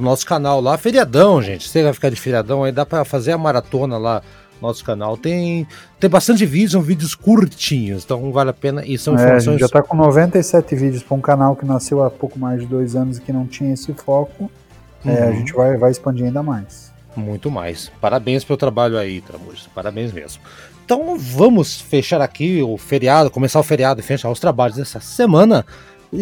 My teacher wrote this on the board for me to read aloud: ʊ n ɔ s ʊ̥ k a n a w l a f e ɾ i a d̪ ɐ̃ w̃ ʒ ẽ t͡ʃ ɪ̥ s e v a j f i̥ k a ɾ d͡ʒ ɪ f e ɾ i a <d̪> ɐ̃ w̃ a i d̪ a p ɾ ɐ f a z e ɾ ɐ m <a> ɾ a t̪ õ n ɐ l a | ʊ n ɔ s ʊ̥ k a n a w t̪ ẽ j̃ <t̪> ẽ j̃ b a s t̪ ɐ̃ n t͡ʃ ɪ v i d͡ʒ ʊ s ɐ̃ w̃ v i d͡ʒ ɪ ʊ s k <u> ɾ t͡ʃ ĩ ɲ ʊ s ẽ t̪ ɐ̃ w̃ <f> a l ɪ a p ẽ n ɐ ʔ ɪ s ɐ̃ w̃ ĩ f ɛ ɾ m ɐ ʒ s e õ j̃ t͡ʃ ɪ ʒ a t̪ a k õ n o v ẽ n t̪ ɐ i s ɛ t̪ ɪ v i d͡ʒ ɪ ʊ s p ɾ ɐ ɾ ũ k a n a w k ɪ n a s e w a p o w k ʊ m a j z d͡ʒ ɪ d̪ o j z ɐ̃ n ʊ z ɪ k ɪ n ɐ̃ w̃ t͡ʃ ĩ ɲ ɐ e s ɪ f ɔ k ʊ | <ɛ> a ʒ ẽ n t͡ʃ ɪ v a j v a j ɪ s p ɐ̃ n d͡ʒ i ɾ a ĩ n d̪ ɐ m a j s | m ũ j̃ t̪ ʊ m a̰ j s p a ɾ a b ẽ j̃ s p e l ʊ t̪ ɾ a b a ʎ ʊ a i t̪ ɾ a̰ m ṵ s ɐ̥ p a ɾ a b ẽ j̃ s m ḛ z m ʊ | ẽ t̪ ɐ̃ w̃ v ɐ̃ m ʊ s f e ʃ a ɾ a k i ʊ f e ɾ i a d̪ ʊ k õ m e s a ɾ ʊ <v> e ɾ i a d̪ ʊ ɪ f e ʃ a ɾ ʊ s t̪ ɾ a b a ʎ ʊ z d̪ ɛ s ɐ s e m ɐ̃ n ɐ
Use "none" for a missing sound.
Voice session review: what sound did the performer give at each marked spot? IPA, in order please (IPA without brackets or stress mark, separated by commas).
d̪, a, t̪, u, v, ɛ, f